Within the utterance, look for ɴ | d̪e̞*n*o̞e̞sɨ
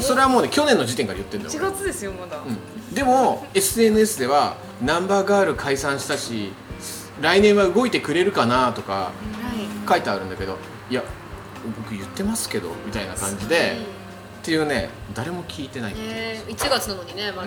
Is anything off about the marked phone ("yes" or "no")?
yes